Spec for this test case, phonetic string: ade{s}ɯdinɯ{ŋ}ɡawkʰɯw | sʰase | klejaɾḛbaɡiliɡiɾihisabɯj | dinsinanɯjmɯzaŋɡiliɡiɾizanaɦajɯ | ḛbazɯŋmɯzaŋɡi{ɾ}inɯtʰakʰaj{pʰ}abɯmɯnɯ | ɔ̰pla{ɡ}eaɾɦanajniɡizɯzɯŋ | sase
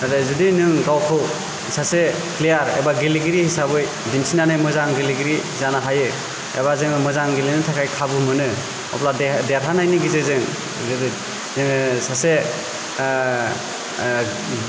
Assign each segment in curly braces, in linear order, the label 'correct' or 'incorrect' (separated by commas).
incorrect, correct, incorrect, incorrect, incorrect